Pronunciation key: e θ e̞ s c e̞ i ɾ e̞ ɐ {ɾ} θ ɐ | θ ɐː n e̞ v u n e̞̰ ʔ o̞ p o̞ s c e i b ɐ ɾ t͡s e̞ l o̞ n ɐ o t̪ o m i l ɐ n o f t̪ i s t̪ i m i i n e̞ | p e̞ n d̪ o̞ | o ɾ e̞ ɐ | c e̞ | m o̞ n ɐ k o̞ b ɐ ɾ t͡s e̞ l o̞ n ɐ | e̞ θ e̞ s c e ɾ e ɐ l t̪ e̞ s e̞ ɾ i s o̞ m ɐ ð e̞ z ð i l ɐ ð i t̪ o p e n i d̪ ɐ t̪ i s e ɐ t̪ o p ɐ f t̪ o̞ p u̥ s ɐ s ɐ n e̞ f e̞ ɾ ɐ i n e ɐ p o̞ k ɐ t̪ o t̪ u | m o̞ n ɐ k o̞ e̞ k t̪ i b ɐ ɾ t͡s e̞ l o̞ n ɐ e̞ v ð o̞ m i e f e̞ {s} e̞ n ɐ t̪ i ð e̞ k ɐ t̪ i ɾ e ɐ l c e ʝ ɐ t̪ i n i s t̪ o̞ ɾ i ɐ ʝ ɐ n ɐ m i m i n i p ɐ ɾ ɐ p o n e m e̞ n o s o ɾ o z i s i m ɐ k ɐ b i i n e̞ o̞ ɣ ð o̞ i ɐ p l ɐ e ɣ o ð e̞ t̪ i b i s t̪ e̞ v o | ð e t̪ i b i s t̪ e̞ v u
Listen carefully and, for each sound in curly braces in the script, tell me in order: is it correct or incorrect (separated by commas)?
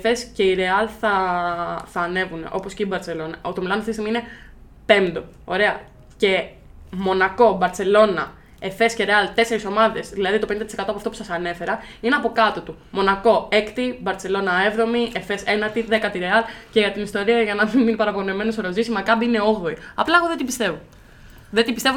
incorrect, correct